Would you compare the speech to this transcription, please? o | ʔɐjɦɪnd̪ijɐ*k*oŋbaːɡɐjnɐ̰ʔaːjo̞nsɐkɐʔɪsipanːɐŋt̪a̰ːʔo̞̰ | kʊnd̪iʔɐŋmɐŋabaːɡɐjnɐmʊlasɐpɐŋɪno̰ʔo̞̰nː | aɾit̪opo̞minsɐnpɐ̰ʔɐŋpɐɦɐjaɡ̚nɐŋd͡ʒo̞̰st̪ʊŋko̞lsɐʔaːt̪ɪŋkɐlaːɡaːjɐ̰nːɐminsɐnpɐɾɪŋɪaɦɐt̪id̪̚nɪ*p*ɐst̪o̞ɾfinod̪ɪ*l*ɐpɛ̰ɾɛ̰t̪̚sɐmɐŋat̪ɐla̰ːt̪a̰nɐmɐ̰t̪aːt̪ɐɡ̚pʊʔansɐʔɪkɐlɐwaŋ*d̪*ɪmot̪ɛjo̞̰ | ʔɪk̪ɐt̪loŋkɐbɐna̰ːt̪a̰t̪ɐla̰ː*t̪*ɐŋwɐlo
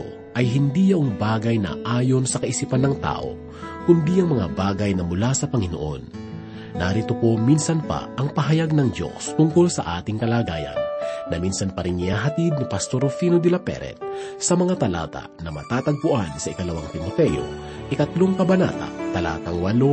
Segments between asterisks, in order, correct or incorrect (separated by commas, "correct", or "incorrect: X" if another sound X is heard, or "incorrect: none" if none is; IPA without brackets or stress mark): incorrect: ʔ, correct, correct, incorrect: t̪, correct